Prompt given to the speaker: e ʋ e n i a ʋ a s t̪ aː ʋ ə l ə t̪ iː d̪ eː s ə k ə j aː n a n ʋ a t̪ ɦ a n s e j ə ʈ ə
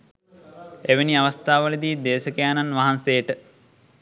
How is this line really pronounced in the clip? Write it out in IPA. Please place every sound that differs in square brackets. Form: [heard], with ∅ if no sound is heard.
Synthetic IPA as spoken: e ʋ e n i a ʋ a s t̪ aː ʋ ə l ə [d̪] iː d̪ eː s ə k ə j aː n a n ʋ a [∅] ɦ a n s e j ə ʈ ə